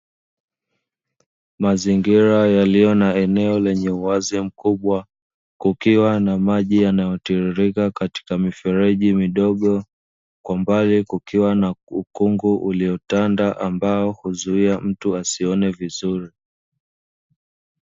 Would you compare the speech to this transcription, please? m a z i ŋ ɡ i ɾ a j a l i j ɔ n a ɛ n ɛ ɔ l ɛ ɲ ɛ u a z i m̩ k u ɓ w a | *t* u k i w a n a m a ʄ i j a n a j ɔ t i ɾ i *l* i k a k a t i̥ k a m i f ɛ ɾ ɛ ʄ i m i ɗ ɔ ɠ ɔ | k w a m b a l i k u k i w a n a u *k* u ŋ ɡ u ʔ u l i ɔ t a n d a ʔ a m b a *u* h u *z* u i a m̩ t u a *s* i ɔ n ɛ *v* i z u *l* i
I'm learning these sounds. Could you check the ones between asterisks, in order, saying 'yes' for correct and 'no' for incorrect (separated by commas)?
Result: no, no, yes, no, yes, yes, yes, no